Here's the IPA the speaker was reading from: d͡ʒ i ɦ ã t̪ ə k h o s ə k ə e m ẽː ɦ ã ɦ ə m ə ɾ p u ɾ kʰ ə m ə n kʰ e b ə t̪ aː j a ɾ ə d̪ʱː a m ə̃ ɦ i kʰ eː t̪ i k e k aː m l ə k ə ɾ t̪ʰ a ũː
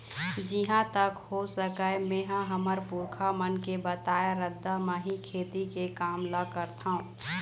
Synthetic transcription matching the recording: d͡ʒ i ɦ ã t̪ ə k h o s ə k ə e m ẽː ɦ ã ɦ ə m ə ɾ p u ɾ kʰ a m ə n k e b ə t̪ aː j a ɾ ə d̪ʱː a m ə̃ ɦ i kʰ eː t̪ i k e k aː m l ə k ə ɾ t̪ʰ a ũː